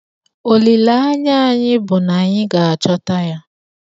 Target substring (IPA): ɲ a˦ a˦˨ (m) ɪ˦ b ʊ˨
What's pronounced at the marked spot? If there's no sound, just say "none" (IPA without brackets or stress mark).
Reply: ɲ